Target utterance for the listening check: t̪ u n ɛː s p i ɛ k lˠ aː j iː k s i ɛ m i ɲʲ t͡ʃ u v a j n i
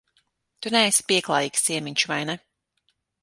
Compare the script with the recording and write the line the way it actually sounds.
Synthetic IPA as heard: t̪ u n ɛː s p i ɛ k lˠ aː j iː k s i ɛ m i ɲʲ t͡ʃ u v a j n ɛ